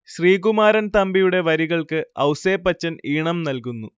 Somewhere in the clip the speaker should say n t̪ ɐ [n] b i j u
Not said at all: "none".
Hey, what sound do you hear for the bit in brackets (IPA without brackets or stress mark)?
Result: m